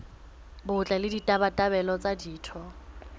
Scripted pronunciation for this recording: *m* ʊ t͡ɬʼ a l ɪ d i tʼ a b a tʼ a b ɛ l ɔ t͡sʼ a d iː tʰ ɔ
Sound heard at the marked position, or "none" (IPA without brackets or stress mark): b